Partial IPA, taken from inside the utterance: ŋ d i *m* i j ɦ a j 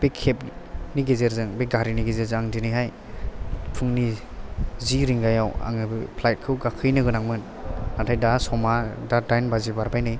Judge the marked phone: incorrect: n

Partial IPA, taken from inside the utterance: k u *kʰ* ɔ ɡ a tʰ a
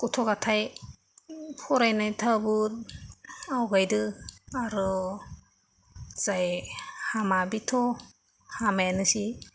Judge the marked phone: incorrect: tʰ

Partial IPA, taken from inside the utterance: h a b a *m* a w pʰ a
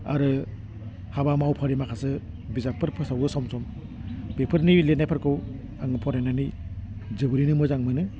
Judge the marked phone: correct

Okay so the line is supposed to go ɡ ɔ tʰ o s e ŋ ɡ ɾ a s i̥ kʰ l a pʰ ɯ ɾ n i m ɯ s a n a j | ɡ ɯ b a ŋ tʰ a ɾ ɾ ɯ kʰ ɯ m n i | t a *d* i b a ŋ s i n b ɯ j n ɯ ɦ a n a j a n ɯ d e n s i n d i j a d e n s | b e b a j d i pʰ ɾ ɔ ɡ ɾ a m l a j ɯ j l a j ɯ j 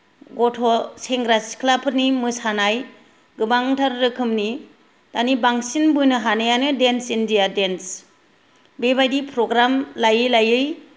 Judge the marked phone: incorrect: n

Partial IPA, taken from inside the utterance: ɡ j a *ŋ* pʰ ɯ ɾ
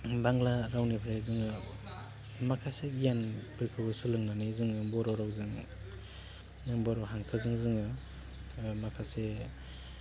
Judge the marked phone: incorrect: n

